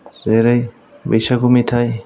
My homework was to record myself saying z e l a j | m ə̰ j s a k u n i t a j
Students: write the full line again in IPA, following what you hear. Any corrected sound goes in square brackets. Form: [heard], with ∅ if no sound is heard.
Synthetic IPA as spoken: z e [ɾ] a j | [b] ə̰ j s a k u [m] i [tʰ] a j